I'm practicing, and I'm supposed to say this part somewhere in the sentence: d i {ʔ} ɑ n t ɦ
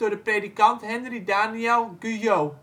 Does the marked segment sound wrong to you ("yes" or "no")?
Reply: yes